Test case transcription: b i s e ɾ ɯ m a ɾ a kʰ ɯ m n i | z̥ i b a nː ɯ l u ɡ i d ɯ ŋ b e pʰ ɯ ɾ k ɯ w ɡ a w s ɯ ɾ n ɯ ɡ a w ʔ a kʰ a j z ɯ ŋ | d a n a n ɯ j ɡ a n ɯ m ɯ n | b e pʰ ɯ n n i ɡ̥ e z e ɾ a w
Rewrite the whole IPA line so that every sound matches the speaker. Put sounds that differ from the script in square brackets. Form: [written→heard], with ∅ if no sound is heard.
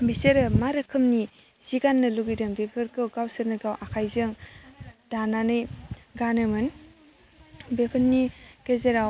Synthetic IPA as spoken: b i s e ɾ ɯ m a ɾ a kʰ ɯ m n i | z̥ i [b→ɡ] a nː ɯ l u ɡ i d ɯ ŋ b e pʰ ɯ ɾ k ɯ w ɡ a w s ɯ ɾ n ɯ ɡ a w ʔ a kʰ a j z ɯ ŋ | d a n a n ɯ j ɡ a n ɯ m ɯ n | b e pʰ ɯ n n i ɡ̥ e z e ɾ a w

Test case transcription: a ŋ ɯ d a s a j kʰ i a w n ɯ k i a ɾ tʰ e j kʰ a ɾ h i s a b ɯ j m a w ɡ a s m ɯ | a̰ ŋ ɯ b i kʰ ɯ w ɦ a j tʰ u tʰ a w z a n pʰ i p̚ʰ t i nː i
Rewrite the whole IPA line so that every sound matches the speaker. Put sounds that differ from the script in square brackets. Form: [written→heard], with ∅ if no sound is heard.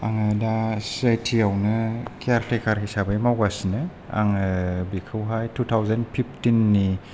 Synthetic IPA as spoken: a ŋ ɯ d a s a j [kʰ→tʰ] i a w n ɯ k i a ɾ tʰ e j kʰ a ɾ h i s a b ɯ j m a w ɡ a s [m→n] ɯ | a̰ ŋ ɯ b i kʰ ɯ w ɦ a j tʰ u tʰ a w z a n pʰ i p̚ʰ t i nː i

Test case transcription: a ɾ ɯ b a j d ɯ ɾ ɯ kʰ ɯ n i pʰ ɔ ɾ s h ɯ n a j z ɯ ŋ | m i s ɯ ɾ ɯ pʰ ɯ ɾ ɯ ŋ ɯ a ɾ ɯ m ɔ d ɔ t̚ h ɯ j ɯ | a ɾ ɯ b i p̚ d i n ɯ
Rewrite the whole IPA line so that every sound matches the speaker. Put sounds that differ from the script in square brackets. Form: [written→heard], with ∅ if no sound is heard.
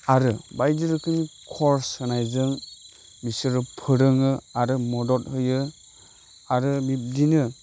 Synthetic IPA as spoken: a ɾ ɯ b a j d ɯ ɾ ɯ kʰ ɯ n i [pʰ→kʰ] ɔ ɾ s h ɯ n a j z ɯ ŋ | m i s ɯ ɾ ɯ pʰ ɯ ɾ ɯ ŋ ɯ a ɾ ɯ m ɔ d ɔ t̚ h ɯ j ɯ | a ɾ ɯ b i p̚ d i n ɯ

